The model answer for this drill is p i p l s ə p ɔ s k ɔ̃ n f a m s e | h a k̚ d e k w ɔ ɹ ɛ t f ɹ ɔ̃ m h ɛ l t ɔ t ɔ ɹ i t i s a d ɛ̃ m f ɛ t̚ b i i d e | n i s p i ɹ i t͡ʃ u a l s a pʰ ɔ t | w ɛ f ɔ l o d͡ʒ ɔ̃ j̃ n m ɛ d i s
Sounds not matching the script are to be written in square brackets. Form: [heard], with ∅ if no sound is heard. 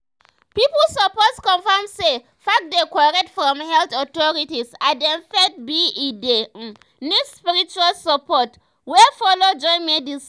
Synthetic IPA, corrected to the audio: p i p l s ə p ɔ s k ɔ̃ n f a m s e | [f] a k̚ d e k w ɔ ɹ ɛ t f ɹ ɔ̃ m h ɛ l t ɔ t ɔ ɹ i t i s a d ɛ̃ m f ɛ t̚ b i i d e | n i s p i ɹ i t͡ʃ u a l s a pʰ ɔ t | w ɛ f ɔ l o d͡ʒ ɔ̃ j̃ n m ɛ d i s